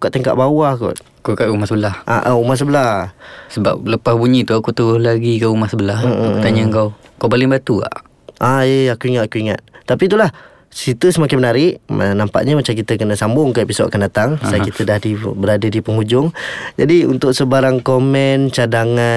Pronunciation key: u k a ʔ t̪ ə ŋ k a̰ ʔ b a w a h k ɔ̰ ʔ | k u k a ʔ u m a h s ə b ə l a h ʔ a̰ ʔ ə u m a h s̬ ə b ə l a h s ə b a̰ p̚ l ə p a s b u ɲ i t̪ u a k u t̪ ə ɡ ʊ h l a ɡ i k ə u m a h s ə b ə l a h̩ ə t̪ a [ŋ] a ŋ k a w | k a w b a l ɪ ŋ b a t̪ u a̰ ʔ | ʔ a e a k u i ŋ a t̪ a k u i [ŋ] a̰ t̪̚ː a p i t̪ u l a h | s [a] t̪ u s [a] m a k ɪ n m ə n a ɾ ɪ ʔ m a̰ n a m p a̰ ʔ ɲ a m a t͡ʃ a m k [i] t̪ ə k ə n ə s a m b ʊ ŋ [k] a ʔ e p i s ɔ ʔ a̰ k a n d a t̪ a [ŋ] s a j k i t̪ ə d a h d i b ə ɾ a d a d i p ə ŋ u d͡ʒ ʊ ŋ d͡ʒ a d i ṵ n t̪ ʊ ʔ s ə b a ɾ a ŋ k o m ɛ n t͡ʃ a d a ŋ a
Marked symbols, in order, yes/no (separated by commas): no, yes, no, no, yes, yes, yes